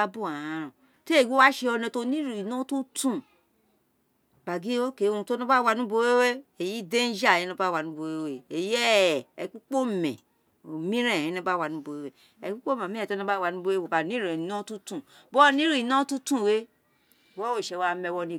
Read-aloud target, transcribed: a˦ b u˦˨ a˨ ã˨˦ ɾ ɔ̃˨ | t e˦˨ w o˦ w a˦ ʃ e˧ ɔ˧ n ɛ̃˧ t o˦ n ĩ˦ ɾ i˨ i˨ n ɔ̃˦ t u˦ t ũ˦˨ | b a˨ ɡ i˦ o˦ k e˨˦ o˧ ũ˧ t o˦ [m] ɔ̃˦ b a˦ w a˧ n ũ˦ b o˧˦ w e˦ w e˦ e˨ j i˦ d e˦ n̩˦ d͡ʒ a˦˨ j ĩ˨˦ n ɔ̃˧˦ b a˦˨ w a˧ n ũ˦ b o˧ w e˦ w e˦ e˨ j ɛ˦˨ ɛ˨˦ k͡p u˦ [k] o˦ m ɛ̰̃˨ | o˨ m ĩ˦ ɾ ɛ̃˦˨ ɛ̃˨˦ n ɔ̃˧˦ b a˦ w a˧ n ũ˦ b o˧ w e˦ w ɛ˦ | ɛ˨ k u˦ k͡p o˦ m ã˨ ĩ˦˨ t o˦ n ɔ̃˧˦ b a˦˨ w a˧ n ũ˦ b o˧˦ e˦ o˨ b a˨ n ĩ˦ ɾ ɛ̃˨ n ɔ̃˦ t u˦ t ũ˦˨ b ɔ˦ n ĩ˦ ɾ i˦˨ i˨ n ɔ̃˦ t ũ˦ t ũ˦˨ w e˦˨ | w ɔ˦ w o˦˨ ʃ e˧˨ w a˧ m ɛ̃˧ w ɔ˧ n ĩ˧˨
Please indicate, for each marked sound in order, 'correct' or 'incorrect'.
incorrect, incorrect

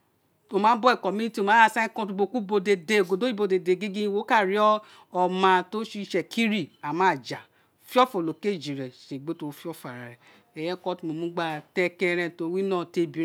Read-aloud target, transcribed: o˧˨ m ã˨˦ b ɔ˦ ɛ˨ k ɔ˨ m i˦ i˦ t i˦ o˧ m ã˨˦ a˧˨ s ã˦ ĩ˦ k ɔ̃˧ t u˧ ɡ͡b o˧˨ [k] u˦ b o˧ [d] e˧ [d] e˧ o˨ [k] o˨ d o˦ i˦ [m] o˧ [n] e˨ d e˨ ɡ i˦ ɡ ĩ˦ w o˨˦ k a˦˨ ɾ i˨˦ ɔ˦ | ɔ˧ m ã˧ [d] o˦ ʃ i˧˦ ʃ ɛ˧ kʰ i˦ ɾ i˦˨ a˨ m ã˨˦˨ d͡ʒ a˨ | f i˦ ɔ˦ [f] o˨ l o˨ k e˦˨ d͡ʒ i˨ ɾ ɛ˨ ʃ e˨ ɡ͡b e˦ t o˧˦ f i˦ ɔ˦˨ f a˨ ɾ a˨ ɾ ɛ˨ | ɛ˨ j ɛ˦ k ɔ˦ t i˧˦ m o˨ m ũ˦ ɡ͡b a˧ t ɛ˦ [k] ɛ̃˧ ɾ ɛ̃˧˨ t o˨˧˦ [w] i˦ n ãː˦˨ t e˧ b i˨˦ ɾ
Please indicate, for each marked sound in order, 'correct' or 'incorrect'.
correct, correct, correct, incorrect, incorrect, incorrect, incorrect, correct, correct, correct

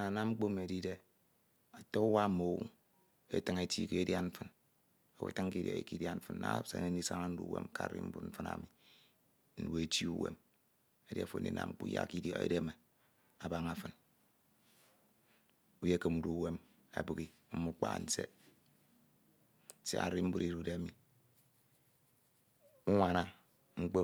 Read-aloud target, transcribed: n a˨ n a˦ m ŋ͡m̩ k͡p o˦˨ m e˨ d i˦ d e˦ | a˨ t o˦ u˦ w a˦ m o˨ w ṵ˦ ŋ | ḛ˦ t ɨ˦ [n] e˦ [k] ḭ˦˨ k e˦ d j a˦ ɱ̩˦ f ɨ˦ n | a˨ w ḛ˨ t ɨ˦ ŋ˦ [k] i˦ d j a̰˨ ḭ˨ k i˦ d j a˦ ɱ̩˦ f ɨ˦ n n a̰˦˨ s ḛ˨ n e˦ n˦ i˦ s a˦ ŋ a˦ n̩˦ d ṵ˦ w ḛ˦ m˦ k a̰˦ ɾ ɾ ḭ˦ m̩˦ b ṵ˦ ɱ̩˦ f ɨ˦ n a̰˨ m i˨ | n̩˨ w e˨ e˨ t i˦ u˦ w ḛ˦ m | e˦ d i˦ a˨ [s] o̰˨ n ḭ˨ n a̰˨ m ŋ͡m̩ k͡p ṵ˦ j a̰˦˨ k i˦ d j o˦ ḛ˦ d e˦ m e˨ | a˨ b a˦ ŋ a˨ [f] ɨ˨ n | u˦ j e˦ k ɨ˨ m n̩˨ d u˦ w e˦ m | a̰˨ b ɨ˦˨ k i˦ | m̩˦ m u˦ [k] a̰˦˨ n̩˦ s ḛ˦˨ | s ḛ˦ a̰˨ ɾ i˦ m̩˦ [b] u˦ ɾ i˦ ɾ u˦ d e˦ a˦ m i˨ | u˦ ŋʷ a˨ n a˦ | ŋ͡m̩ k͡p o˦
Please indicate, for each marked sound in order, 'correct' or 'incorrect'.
incorrect, incorrect, correct, incorrect, correct, incorrect, correct

